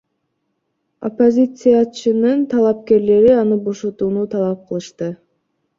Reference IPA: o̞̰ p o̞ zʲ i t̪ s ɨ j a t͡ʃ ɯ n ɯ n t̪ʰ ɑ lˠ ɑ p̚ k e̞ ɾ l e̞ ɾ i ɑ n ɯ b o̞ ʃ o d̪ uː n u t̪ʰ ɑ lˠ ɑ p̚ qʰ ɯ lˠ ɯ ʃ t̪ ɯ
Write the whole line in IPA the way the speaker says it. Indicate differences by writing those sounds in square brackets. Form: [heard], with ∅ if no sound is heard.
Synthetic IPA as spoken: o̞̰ p o̞ zʲ i t̪ s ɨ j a t͡ʃ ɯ n ɯ n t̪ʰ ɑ lˠ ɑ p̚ k e̞ ɾ l e̞ ɾ i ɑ n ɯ b o̞ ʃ o [t̪] uː n u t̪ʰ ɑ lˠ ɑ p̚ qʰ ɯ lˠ ɯ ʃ t̪ ɯ

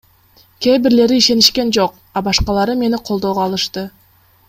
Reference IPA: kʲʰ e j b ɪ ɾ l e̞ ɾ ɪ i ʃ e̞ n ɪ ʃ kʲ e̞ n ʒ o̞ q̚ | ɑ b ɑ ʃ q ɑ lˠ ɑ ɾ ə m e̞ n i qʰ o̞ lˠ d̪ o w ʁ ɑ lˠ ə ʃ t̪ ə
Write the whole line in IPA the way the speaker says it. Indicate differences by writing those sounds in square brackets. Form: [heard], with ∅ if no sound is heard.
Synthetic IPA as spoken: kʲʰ e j b ɪ ɾ l e̞ ɾ ɪ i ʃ e̞ n ɪ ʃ kʲ e̞ n ʒ o̞ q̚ | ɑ b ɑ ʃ q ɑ lˠ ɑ ɾ ə m e̞ n [ɪ] qʰ o̞ lˠ d̪ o w ʁ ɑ lˠ ə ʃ t̪ ə

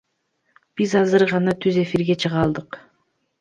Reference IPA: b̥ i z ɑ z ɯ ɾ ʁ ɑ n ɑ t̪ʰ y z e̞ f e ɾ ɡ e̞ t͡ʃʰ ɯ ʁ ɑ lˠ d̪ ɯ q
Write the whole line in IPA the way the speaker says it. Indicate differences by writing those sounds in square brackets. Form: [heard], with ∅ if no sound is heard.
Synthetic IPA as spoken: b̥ i z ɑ z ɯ ɾ ʁ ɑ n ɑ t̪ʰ y z e̞ f [i] ɾ ɡ e̞ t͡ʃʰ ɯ ʁ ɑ lˠ d̪ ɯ q

